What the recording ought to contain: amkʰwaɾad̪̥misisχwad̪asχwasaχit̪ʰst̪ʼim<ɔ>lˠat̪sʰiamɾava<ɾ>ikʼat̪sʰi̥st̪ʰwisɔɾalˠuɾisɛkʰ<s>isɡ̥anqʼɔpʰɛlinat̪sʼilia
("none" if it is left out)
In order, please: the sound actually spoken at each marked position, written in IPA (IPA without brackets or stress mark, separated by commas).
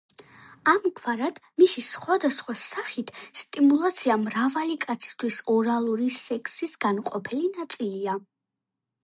u, l, s